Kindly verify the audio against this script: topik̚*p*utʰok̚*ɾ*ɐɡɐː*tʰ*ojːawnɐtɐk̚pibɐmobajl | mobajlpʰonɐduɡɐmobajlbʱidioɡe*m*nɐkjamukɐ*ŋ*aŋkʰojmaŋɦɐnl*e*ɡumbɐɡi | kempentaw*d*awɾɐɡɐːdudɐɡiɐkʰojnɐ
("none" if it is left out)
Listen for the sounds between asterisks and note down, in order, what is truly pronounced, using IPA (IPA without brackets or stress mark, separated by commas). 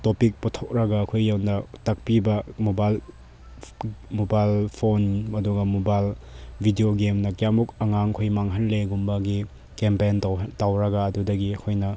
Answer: p, ɾ, kʰ, m, ŋ, e, t